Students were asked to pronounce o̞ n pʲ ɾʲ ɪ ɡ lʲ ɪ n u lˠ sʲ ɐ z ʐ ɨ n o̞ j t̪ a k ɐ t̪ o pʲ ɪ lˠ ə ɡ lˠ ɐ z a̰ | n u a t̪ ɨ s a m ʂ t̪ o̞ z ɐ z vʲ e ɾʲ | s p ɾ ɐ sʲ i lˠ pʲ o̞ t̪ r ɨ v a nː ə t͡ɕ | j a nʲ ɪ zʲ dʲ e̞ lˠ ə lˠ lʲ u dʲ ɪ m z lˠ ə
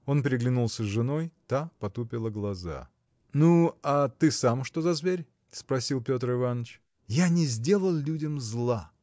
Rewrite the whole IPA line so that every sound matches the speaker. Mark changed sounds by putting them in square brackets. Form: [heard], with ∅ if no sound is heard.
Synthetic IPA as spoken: o̞ n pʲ ɾʲ ɪ ɡ lʲ ɪ n u lˠ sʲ [ə] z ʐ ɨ n o̞ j t̪ a [p] ɐ t̪ [u] pʲ ɪ lˠ ə ɡ lˠ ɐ z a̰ | n u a t̪ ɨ s a m ʂ t̪ o̞ z ɐ z vʲ e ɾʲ | s p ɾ ɐ sʲ i lˠ pʲ o̞ t̪ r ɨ v a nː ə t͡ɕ | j a nʲ ɪ zʲ dʲ e̞ lˠ ə lˠ lʲ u dʲ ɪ m z lˠ [a]